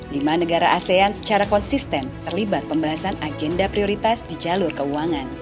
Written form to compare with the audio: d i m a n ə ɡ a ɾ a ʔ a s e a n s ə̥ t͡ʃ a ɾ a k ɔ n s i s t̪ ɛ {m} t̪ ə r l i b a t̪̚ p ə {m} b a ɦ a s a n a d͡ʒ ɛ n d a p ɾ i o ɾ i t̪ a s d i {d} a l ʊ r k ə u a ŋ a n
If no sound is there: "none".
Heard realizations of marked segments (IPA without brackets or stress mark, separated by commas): n, m, d͡ʒ